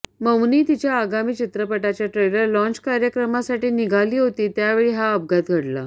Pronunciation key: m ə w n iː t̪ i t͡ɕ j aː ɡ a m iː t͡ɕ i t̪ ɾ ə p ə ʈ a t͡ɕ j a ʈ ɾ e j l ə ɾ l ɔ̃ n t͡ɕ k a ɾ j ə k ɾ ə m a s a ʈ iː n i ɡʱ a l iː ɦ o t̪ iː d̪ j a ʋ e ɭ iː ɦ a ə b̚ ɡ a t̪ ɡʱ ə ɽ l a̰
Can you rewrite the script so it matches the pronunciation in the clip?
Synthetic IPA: m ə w n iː t̪ i t͡ɕ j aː ɡ a m iː t͡ɕ i t̪ ɾ ə p ə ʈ a t͡ɕ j a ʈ ɾ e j l ə ɾ l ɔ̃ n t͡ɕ k a ɾ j ə k ɾ ə m a s a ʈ iː n i ɡʱ a l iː ɦ o t̪ iː t̪ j a ʋ e ɭ iː ɦ a ə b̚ ɡ a t̪ ɡʱ ə ɽ l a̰